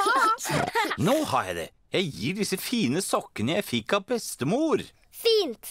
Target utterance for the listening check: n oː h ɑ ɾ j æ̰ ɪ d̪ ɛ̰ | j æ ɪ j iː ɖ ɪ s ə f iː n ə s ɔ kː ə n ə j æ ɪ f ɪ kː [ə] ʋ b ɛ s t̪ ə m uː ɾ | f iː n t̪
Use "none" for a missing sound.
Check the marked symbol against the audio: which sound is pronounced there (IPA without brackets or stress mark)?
ɑ